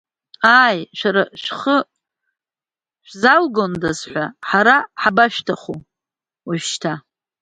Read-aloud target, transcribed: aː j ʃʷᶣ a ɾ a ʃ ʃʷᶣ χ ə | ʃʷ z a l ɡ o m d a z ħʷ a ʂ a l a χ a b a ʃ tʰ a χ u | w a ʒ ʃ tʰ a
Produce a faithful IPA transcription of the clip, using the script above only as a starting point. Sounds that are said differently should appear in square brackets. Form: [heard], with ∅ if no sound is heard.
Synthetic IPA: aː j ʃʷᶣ a ɾ a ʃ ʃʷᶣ χ ə | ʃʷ z a l ɡ o [n] d a z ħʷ a [ħ] a [ɾ] a [ħ] a b a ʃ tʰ a χ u | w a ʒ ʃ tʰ a